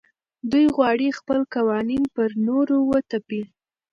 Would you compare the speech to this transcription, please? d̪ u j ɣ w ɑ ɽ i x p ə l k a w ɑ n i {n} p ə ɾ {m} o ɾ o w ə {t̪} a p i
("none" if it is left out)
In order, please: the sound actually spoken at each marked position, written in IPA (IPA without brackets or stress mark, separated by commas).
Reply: n, n, t̪